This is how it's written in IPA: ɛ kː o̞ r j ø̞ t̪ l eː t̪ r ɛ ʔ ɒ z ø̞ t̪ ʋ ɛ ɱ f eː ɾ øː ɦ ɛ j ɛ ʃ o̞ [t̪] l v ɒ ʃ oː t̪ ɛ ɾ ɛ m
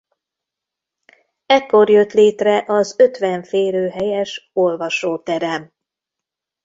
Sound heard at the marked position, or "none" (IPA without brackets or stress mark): none